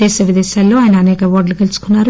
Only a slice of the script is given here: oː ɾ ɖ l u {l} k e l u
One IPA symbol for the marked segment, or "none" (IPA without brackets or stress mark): none